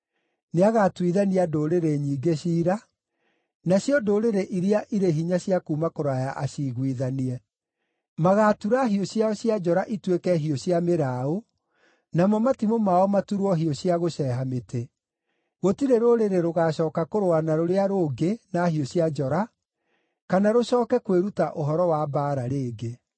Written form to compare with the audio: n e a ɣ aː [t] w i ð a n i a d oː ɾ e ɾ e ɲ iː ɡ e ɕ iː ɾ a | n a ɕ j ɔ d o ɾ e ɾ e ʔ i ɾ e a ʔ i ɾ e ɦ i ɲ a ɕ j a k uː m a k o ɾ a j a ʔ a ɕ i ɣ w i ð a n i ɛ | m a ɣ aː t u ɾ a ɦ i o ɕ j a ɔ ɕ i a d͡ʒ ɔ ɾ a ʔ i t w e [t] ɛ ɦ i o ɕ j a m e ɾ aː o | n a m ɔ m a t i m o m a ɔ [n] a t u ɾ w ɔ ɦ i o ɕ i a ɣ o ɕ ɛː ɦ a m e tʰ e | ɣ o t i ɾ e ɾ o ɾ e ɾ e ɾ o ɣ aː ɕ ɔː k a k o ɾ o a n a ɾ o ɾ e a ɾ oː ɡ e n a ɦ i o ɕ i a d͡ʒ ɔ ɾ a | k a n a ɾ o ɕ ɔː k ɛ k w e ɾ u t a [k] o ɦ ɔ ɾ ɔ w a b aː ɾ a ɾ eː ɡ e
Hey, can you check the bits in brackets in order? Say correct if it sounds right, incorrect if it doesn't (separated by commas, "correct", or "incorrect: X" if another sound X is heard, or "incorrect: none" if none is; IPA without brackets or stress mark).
correct, incorrect: k, incorrect: m, incorrect: ʔ